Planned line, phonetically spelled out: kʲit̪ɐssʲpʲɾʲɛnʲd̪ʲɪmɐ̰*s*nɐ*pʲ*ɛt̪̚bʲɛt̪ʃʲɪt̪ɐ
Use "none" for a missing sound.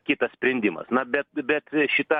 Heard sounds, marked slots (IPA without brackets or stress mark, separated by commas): s, bʲ